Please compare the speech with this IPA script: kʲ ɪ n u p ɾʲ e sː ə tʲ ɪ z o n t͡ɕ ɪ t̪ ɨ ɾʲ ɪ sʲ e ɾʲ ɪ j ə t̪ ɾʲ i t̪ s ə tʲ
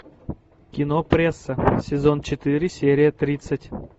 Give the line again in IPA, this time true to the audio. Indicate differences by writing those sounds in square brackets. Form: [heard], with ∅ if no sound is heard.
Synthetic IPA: kʲ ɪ n [o] p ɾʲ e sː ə [sʲ] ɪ z o n t͡ɕ ɪ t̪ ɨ ɾʲ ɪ sʲ e ɾʲ ɪ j ə t̪ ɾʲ i t̪ s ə tʲ

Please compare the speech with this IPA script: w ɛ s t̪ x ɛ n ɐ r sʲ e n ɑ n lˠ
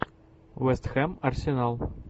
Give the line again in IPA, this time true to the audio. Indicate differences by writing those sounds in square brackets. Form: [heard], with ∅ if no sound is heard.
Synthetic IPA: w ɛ s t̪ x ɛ [m] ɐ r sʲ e n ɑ [∅] lˠ

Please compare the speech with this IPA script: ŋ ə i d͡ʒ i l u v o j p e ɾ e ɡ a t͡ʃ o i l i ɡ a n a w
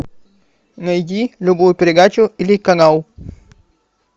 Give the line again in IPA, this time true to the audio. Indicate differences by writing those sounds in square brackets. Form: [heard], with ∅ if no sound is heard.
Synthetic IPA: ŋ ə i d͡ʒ i l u [b] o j p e ɾ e ɡ a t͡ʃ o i l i [k] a [ŋ] a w

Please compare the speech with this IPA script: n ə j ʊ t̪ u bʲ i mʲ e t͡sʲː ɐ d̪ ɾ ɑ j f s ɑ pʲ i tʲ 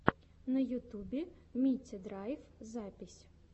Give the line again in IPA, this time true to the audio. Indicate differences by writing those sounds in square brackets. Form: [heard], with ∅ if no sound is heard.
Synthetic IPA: n [ɐ] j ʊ t̪ u bʲ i mʲ [i] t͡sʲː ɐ d̪ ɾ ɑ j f [z] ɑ pʲ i [sʲ]

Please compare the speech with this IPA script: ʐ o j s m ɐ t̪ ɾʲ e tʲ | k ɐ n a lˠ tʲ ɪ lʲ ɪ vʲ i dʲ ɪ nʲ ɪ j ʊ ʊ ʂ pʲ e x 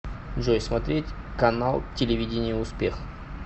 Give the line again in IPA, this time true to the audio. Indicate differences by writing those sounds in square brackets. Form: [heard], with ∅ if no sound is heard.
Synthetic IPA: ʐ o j s m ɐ t̪ ɾʲ e tʲ | k ɐ n a lˠ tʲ ɪ lʲ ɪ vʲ i dʲ ɪ nʲ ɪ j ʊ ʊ [s] pʲ e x

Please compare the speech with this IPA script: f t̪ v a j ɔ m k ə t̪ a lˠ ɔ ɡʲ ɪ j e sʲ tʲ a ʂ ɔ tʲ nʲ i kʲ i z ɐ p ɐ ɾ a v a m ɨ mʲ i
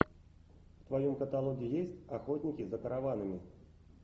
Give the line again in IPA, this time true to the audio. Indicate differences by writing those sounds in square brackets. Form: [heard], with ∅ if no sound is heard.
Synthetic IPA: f t̪ v a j ɔ m k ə t̪ a lˠ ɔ ɡʲ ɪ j e sʲ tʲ a [x] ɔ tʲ nʲ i kʲ i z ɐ [k] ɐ ɾ a v a [n] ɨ mʲ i

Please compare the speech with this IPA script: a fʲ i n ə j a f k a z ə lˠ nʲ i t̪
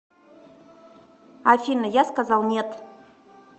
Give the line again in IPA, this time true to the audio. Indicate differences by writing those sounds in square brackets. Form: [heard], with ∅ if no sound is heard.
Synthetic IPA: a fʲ i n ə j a [s] k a z [ɑ] lˠ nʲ [e] t̪

